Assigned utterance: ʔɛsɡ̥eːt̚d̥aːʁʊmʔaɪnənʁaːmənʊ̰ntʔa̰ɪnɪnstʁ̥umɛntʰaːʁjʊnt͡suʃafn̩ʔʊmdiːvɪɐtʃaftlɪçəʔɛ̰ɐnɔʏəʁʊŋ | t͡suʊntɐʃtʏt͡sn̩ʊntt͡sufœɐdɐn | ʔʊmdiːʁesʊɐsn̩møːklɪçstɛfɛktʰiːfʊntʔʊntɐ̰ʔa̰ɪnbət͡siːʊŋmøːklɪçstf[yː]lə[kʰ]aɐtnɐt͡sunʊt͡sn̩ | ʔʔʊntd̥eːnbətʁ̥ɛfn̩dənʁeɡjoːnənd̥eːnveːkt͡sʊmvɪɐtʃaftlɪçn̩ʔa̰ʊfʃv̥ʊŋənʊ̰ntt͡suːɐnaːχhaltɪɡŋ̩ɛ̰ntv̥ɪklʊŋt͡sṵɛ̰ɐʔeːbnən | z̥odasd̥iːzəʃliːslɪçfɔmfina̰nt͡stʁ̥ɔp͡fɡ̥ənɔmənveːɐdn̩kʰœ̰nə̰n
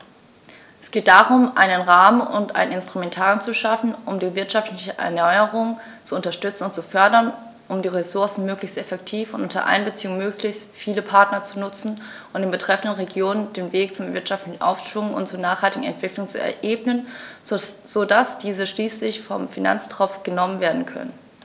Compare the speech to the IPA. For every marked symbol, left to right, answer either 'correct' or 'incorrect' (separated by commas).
incorrect, incorrect